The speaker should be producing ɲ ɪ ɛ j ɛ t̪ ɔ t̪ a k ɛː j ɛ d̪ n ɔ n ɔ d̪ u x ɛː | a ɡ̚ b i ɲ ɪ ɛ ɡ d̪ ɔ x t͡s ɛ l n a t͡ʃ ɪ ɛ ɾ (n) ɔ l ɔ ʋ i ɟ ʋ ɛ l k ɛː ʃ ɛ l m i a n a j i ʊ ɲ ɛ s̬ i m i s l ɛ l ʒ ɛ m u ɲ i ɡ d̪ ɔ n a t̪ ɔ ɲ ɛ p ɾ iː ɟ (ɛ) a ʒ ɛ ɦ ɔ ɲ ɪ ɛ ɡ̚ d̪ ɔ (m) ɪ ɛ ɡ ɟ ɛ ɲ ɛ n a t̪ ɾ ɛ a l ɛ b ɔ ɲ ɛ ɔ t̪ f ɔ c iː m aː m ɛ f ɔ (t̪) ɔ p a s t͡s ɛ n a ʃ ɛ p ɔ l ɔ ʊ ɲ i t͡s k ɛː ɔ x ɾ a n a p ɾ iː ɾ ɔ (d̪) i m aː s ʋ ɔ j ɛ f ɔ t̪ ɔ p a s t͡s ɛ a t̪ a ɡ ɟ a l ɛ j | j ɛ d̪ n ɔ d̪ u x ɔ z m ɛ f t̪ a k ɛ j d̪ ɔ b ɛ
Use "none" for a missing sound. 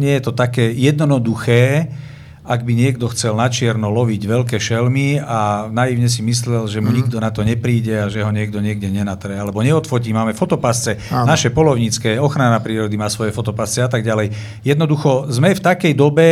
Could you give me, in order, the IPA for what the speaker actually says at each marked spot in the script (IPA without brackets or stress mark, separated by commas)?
n, ɛ, ɲ, t̪, d̪